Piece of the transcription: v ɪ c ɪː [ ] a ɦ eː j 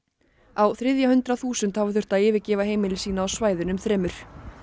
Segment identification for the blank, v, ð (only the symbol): v